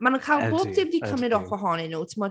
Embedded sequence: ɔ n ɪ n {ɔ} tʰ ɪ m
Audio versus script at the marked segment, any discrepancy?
yes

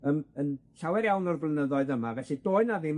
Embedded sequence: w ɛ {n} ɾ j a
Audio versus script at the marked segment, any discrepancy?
yes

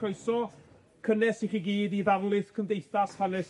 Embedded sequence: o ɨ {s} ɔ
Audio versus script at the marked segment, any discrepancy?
no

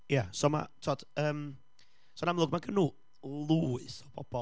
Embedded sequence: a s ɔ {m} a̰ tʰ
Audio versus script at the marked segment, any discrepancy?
no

